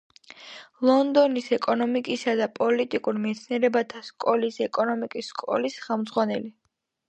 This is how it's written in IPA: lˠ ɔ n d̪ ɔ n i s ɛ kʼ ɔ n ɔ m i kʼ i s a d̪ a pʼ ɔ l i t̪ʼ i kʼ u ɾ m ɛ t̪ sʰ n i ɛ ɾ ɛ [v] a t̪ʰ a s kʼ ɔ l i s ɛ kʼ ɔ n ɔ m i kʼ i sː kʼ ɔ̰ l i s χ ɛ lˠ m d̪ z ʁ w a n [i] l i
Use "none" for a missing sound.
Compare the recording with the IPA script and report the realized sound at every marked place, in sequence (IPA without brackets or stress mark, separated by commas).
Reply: b, ɛ